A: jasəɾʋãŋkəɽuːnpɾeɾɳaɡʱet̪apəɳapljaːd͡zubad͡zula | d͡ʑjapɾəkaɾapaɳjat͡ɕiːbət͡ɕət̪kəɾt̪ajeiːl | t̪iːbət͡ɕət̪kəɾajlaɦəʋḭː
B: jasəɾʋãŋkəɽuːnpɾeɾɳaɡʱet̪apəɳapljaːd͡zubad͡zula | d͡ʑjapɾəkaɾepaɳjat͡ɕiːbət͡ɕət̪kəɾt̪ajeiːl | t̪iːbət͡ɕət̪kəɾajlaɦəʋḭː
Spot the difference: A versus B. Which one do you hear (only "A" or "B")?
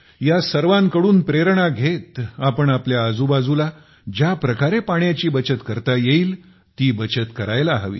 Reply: B